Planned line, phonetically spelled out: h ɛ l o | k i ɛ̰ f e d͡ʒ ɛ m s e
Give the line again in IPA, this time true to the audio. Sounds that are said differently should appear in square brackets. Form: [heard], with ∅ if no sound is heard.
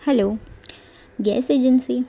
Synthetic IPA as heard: h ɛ l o | [ɡ] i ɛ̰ [s] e d͡ʒ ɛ [n] s [i]